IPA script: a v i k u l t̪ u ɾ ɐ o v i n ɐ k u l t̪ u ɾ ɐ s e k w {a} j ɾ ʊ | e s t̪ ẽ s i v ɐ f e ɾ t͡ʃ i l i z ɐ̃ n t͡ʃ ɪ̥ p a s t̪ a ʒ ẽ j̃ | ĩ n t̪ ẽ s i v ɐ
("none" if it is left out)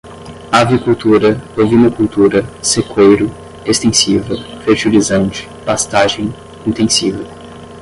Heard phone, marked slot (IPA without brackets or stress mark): e